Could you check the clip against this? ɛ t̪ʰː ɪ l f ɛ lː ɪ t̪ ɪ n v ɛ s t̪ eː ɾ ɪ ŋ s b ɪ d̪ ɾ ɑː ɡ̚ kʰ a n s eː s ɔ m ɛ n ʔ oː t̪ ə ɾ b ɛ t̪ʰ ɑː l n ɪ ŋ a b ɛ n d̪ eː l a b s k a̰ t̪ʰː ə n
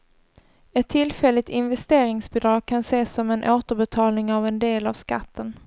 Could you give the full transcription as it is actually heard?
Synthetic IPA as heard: ɛ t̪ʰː ɪ l f ɛ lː ɪ t̪ ɪ n v ɛ s t̪ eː ɾ ɪ ŋ s b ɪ d̪ ɾ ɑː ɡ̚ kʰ a n s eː s ɔ m ɛ n ʔ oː t̪ ə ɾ b ɛ t̪ʰ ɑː l n ɪ ŋ a v ɛ n d̪ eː l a v s k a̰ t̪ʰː ə n